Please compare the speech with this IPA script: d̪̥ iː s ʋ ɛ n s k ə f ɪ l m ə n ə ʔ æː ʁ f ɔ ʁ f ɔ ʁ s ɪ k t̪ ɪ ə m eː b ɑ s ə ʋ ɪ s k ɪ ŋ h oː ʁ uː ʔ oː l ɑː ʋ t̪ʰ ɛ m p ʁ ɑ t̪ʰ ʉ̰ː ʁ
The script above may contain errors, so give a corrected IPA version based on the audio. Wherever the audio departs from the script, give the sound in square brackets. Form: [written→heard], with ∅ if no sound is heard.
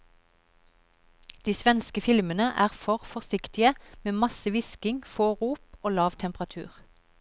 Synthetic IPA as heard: d̪̥ iː s ʋ ɛ n s k ə f ɪ l m ə n ə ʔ æː ʁ f ɔ ʁ f ɔ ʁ s ɪ k t̪ ɪ ə m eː [b→m] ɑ s ə ʋ ɪ s k ɪ ŋ [h→f] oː ʁ uː [ʔ→p] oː l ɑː ʋ t̪ʰ ɛ m p ʁ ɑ t̪ʰ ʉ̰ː ʁ